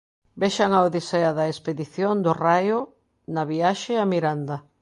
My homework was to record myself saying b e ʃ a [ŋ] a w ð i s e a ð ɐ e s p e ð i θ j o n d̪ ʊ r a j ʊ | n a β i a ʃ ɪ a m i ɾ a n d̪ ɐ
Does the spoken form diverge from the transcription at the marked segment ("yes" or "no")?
no